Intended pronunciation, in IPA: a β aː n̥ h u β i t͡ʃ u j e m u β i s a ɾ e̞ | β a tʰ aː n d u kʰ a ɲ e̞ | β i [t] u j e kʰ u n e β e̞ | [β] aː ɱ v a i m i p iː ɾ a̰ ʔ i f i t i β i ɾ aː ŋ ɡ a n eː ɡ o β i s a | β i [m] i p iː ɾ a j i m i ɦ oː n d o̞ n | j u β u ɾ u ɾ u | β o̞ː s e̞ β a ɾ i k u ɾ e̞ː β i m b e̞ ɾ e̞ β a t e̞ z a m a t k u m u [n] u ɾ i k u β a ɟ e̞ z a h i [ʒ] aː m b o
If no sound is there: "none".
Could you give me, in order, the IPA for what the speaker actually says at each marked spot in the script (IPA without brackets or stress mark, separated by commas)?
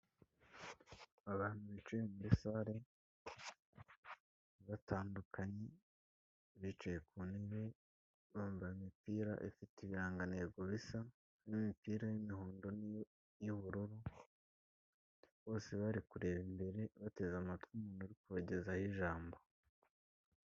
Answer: t͡ʃ, β, m, n, ʒ